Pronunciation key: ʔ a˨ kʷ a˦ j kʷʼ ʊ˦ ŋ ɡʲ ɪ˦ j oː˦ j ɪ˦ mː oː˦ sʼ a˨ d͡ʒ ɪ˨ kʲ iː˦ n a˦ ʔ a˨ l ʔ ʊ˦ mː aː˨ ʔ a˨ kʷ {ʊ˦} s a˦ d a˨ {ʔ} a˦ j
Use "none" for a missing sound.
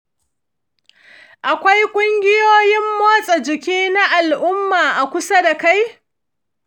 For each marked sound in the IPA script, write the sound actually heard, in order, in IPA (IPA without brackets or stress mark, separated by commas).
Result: ʊ˦, k